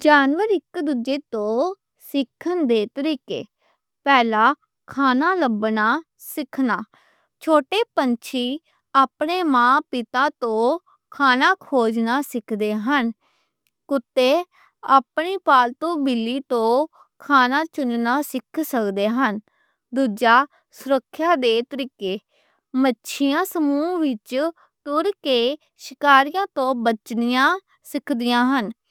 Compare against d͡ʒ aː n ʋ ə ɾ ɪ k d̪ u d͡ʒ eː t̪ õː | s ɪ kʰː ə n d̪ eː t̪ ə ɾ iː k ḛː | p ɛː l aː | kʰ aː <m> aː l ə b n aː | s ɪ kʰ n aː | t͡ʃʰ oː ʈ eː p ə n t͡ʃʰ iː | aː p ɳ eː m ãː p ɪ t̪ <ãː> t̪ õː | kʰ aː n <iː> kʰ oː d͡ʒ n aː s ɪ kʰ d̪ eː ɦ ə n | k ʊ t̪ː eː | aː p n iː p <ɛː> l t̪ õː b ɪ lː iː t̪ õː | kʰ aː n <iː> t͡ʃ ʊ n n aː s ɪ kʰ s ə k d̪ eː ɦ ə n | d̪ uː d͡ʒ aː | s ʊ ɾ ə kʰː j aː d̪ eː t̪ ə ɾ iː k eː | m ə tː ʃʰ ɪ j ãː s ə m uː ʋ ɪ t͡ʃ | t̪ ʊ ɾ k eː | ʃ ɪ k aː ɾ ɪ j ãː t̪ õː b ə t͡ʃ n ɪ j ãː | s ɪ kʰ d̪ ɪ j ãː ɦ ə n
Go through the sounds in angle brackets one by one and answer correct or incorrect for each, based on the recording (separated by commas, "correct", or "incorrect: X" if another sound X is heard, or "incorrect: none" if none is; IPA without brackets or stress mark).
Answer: incorrect: n, incorrect: aː, incorrect: aː, incorrect: aː, incorrect: aː